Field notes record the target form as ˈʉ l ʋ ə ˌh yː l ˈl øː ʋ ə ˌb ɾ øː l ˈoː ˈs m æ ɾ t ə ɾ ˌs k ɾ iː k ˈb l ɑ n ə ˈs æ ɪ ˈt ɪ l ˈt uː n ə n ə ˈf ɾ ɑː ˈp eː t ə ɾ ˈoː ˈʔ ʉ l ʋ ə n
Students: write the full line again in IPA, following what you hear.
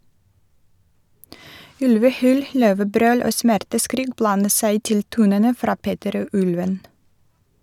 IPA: ˈʉ l ʋ ə ˌh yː l ˈl øː ʋ ə ˌb ɾ øː l ˈoː ˈs m æ ɾ t ə ˌs k ɾ iː k ˈb l ɑ n ə ˈs æ ɪ ˈt ɪ l ˈt uː n ə n ə ˈf ɾ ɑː ˈp eː t ə ɾ ˈoː ˈʔ ʉ l ʋ ə n